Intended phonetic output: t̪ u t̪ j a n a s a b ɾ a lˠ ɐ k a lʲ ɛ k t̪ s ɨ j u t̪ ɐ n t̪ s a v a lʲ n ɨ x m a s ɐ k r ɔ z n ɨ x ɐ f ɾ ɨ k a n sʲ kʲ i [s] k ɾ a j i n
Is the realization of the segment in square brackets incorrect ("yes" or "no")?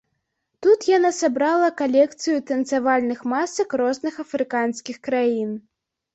yes